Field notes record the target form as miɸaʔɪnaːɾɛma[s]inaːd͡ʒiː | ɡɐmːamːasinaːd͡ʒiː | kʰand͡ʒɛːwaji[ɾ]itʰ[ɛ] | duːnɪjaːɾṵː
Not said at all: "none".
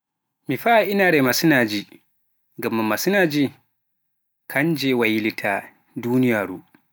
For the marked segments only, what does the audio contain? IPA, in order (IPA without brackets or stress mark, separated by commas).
s, l, a